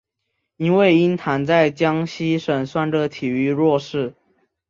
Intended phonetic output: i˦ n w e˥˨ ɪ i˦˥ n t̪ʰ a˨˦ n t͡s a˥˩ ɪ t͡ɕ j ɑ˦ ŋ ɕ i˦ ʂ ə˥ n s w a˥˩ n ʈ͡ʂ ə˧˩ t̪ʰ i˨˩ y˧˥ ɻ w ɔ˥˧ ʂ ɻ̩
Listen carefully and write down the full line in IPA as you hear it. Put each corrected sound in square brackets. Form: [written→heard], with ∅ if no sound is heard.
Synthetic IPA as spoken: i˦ n w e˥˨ ɪ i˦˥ n t̪ʰ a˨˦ n t͡s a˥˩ ɪ t͡ɕ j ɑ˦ ŋ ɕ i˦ ʂ [ə˥→ə˨˩] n s w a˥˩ n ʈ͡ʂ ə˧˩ t̪ʰ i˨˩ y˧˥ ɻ w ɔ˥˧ ʂ ɻ̩